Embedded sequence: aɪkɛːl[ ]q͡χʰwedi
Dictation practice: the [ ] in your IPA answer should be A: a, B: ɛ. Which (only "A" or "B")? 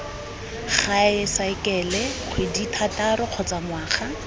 B